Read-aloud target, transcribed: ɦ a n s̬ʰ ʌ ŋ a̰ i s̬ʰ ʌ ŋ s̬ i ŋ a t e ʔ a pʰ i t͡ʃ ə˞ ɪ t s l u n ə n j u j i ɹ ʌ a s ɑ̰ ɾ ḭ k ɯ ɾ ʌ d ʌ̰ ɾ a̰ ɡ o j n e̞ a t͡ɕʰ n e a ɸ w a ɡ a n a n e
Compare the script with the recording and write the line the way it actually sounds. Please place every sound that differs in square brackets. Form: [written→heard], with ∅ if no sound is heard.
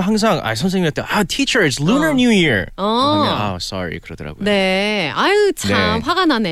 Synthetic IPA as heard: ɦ a [n→ŋ] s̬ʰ [ʌ→a] ŋ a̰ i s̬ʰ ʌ [ŋ→m] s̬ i ŋ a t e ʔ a [pʰ→tʰ] i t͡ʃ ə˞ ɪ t s l u n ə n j u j i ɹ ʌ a s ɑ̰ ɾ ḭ k ɯ ɾ ʌ d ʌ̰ ɾ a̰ ɡ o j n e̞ a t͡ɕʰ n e a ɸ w a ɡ a n a n e